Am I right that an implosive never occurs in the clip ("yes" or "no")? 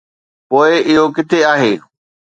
yes